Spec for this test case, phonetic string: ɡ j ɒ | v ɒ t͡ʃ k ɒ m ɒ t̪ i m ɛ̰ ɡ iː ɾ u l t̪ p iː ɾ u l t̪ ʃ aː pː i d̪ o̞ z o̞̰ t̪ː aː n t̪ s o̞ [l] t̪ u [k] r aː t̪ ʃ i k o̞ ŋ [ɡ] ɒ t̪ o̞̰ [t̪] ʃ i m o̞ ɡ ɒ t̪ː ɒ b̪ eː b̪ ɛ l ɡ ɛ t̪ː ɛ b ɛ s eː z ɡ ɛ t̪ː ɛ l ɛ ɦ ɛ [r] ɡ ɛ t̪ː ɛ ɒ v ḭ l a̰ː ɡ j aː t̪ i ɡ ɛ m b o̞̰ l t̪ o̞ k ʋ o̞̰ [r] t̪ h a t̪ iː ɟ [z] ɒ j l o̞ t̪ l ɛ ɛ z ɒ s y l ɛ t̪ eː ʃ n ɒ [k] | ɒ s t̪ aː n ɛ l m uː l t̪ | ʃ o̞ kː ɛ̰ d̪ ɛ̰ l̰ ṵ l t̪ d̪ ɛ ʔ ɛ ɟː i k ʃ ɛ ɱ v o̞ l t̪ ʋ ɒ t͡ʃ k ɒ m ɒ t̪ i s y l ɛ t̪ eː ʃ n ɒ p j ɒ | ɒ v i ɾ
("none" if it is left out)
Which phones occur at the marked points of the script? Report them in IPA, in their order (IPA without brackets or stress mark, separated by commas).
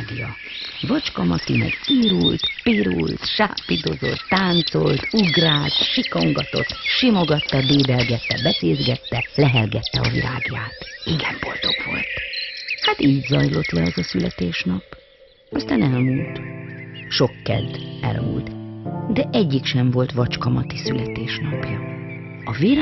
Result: l, ɡ, ɡ, t̪, l, l, z, p